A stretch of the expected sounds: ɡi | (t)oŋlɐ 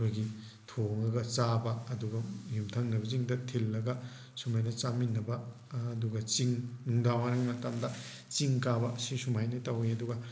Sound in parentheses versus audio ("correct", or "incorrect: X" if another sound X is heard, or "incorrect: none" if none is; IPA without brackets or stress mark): incorrect: tʰ